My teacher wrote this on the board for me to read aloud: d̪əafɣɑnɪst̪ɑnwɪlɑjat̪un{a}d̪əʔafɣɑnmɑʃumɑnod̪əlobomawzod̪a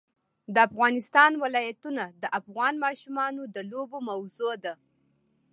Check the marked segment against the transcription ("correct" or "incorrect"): correct